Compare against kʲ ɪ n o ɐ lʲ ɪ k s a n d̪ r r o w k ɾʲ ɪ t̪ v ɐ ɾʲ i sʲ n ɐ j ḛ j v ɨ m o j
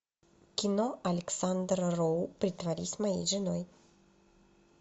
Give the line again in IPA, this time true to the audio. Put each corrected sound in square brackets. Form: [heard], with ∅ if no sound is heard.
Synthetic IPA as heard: kʲ ɪ n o ɐ lʲ ɪ k s a n d̪ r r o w [p] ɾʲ ɪ t̪ v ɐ ɾʲ i sʲ [m] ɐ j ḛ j [ʐ] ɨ [n] o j